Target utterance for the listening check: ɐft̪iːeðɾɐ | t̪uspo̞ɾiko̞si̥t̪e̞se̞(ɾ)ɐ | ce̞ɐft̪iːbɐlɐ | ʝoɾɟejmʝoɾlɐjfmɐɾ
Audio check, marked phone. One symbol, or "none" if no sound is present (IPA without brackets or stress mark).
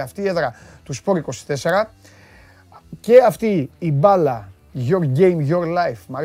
ɾ